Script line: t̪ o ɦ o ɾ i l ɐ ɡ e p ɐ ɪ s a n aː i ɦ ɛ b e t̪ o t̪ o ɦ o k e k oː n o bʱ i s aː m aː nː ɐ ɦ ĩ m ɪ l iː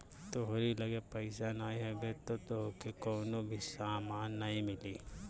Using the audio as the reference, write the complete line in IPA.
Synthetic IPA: t̪ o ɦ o ɾ i l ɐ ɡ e p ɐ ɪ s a n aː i ɦ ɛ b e t̪ o t̪ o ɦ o k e k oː n o bʱ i s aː m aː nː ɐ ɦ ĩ m ɪ l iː

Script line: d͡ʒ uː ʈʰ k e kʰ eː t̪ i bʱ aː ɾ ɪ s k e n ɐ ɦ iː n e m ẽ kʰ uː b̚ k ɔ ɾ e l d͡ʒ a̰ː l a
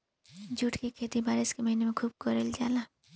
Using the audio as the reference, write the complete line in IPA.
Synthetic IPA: d͡ʒ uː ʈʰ k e kʰ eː t̪ i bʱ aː ɾ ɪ s k e m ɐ ɦ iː n e m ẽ kʰ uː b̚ k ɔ ɾ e l d͡ʒ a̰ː l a

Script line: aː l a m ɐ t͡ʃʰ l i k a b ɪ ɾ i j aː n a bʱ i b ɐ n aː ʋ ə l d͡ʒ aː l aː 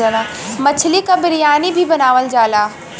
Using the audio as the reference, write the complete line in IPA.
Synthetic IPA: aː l a m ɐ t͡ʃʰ l i k a b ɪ ɾ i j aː n i bʱ i b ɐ n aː ʋ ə l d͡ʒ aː l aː

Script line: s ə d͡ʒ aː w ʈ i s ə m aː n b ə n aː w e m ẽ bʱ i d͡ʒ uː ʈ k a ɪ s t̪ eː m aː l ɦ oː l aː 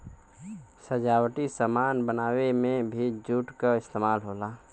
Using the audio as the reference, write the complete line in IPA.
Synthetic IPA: s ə d͡ʒ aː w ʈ i s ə m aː n b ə n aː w e m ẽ bʱ i d͡ʒ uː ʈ k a ɪ s t̪ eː m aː l ɦ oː l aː

